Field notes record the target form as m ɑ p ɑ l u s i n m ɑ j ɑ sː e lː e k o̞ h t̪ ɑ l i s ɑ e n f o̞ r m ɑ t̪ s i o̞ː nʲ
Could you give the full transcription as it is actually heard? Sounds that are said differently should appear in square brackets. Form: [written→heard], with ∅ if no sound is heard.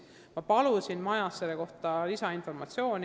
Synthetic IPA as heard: m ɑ p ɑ l u s i n m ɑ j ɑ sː e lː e k o̞ h t̪ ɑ l i s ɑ [e→i] n f o̞ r m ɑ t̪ s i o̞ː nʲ